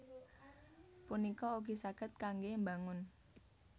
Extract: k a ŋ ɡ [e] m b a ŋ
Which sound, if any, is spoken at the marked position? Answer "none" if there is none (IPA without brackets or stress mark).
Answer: e